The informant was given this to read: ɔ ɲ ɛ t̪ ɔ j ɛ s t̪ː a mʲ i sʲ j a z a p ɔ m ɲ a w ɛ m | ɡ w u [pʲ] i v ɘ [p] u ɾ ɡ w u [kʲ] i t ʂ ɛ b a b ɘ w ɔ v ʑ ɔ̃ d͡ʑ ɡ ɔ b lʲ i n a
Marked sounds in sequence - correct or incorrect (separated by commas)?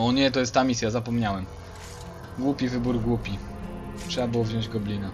correct, incorrect, incorrect